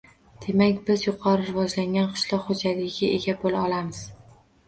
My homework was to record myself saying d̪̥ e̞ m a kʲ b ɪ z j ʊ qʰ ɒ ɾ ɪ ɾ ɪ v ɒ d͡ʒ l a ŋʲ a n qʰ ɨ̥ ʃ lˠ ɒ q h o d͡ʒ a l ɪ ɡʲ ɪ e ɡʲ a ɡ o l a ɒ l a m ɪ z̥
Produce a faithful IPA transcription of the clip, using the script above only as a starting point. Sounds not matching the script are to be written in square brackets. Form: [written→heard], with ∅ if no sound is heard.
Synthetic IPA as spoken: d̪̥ e̞ m a kʲ b ɪ z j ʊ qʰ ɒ ɾ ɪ ɾ ɪ v ɒ d͡ʒ l a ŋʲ a n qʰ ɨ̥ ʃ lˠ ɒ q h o d͡ʒ a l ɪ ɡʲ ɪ e ɡʲ a [ɡ→b] o l a ɒ l a m ɪ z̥